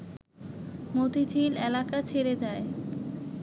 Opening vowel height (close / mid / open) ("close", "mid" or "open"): mid